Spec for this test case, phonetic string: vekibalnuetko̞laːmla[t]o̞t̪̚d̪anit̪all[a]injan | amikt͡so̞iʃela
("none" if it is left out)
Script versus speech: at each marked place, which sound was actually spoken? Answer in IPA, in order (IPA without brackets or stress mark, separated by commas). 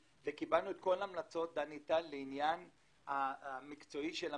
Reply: t͡s, e